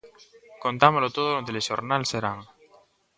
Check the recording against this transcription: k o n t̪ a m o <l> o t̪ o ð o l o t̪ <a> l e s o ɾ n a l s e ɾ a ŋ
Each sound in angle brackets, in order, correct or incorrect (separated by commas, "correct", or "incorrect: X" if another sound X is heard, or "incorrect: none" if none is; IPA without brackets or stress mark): correct, incorrect: e